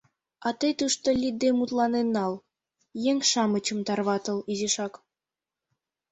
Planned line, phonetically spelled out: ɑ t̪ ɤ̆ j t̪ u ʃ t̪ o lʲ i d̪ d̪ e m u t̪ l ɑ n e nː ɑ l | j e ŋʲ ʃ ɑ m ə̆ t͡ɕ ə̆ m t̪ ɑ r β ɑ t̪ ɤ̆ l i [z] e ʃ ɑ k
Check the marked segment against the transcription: correct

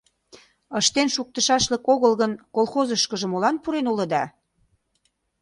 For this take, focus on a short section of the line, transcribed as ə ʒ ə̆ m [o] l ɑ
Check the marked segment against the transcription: correct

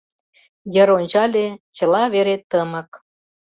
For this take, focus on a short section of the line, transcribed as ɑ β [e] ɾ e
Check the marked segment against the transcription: correct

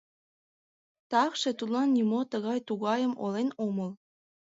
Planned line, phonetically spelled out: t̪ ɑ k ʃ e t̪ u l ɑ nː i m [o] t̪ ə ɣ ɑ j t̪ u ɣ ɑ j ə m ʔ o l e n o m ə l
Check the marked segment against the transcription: correct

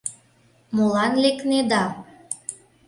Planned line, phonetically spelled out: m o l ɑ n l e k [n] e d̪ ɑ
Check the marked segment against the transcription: correct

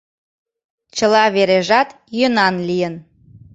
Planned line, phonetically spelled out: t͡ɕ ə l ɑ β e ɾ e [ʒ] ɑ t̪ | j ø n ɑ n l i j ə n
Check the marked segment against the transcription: correct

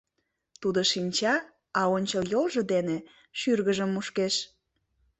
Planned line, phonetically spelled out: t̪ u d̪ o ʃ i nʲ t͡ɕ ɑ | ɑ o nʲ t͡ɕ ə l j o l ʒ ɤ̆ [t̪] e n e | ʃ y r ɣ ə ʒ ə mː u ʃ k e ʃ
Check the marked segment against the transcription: incorrect: d̪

